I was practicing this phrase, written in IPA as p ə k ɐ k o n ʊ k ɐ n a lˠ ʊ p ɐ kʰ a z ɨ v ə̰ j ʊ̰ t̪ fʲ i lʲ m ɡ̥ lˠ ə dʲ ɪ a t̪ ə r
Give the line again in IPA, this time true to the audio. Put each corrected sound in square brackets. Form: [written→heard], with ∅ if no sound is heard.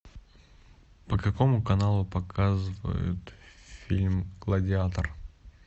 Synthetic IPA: p ə k ɐ k o [n→m] ʊ k ɐ n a lˠ ʊ p ɐ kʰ a z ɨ v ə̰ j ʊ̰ t̪ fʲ i lʲ m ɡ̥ lˠ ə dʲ ɪ a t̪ ə r